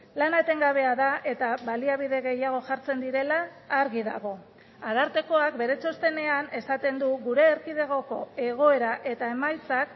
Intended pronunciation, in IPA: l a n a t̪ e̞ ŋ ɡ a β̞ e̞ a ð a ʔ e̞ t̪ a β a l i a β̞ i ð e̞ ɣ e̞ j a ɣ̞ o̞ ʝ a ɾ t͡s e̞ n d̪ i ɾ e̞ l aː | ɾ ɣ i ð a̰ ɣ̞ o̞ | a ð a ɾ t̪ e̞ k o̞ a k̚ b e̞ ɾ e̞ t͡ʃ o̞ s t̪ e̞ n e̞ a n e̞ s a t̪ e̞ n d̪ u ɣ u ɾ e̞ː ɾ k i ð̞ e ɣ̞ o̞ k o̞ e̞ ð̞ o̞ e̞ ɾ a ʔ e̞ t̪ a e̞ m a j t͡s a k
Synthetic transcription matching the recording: l a n a t̪ e̞ ŋ ɡ a β̞ e̞ a ð a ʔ e̞ t̪ a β a l i a β̞ i ð e̞ ɣ e̞ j a ɣ̞ o̞ ʝ a ɾ t͡s e̞ n d̪ i ɾ e̞ l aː | ɾ ɣ i ð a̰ ɣ̞ o̞ | a ð a ɾ t̪ e̞ k o̞ a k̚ b e̞ ɾ e̞ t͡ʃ o̞ s t̪ e̞ n e̞ a n e̞ s a t̪ e̞ n d̪ u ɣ u ɾ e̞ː ɾ k i ð̞ e ɣ̞ o̞ k o̞ e̞ ɣ̞ o̞ e̞ ɾ a ʔ e̞ t̪ a e̞ m a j t͡s a k